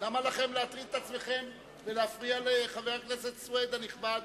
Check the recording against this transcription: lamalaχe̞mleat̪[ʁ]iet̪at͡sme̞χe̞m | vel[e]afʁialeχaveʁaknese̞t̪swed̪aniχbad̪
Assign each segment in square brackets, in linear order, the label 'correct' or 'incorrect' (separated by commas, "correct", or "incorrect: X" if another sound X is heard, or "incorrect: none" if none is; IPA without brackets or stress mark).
correct, correct